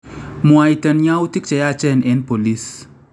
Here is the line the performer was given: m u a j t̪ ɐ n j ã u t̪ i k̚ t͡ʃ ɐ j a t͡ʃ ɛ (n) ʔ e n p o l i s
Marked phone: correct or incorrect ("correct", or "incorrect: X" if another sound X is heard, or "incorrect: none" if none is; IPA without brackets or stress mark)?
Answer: correct